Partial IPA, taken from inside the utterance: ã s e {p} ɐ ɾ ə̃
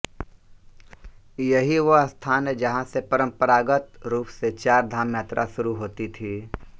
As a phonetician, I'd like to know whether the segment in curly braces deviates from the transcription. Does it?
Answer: no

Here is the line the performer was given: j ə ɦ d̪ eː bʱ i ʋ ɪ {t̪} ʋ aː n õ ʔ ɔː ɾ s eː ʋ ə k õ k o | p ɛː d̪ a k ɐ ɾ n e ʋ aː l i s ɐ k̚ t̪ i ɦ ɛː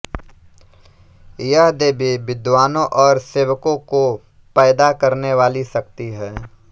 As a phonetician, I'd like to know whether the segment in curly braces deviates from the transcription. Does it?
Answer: yes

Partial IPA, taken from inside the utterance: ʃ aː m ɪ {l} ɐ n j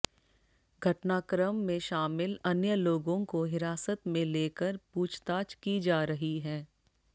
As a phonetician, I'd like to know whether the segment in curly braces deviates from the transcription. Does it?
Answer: no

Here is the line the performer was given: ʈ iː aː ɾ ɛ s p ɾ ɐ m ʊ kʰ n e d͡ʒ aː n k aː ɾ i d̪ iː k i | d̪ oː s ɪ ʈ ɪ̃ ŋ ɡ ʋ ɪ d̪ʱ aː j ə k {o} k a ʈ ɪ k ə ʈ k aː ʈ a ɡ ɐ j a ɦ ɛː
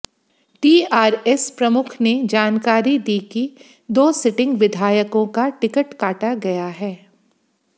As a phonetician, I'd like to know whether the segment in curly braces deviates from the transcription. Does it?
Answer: yes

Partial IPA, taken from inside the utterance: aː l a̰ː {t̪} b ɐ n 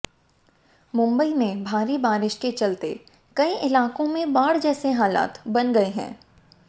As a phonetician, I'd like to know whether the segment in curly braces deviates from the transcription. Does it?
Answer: no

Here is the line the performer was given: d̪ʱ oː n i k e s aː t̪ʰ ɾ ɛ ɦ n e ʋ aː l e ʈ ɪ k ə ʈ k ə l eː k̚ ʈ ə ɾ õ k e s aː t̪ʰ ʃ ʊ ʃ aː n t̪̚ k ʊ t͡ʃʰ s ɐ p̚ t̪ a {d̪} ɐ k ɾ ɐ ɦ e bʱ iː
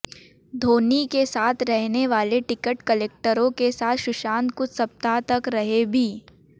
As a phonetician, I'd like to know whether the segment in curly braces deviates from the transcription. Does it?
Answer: yes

